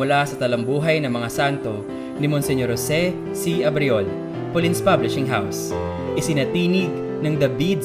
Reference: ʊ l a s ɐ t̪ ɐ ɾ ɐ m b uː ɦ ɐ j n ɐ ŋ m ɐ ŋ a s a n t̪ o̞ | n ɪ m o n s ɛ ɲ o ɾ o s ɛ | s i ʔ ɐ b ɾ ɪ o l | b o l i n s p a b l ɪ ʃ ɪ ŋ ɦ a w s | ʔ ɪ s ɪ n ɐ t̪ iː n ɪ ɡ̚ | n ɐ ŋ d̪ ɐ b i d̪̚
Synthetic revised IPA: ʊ l a s ɐ t̪ ɐ l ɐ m b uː ɦ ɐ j n ɐ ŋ m ɐ ŋ a s a n t̪ o̞ | n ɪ m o n s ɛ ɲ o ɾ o s ɛ | s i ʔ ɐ b ɾ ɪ o l | p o l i n s p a b l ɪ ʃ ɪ ŋ ɦ a w s | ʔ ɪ s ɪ n ɐ t̪ iː n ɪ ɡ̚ | n ɐ ŋ d̪ ɐ b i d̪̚